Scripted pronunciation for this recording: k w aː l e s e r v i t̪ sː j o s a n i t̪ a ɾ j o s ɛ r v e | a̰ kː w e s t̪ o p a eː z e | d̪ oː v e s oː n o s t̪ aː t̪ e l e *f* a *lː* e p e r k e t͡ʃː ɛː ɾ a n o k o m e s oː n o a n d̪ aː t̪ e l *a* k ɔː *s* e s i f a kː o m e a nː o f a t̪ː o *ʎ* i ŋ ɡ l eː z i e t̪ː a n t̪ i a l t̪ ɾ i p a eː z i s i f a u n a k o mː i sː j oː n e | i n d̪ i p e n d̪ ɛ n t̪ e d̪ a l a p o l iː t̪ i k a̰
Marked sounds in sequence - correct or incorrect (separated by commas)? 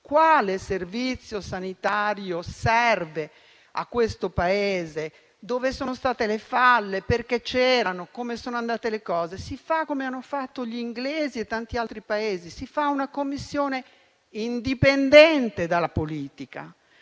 correct, correct, incorrect, incorrect, correct